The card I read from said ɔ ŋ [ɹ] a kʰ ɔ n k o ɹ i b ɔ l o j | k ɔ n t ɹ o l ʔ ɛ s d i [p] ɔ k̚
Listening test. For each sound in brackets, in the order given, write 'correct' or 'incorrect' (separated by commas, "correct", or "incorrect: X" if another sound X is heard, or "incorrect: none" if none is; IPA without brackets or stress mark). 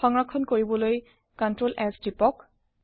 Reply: correct, correct